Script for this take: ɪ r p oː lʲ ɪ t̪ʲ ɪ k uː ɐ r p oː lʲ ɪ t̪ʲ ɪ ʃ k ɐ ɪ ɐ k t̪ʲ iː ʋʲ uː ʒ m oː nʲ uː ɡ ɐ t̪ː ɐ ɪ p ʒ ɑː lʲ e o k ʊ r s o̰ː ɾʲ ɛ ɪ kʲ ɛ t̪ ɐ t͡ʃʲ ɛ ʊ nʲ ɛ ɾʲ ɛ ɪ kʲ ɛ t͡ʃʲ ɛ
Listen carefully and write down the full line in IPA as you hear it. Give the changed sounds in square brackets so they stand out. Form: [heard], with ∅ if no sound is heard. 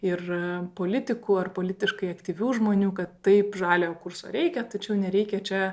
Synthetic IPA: ɪ r p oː lʲ ɪ t̪ʲ ɪ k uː ɐ r p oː lʲ ɪ t̪ʲ ɪ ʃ k ɐ ɪ ɐ k t̪ʲ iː ʋʲ uː ʒ m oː nʲ uː [k] ɐ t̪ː ɐ ɪ p ʒ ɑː lʲ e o k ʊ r s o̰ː ɾʲ ɛ ɪ kʲ ɛ t̪ ɐ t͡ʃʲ ɛ ʊ nʲ ɛ ɾʲ ɛ ɪ kʲ ɛ t͡ʃʲ ɛ